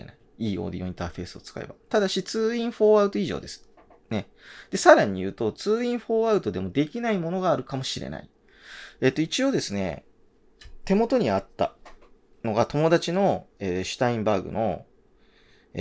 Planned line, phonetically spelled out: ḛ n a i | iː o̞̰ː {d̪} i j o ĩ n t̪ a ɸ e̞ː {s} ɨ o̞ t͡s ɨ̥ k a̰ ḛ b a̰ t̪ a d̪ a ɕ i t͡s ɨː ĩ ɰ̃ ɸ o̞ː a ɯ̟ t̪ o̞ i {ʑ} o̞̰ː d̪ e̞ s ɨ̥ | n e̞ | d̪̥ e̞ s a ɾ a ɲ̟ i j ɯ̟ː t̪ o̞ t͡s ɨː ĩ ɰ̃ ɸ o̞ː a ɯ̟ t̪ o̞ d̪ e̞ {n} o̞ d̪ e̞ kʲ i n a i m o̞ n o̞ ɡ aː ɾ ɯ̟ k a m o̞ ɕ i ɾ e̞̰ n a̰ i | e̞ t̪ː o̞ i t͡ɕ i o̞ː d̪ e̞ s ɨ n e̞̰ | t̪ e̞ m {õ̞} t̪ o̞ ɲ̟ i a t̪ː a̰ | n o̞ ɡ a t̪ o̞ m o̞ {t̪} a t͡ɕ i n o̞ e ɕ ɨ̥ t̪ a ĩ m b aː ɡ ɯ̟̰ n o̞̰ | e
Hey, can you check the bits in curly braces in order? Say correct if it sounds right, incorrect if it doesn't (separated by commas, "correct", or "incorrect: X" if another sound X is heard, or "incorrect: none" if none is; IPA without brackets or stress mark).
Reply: correct, correct, correct, incorrect: m, incorrect: o̞, incorrect: d̪